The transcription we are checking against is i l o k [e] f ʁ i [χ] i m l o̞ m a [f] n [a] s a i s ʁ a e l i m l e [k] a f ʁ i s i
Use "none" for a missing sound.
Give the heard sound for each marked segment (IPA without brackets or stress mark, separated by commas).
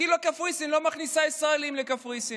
a, s, χ, i, k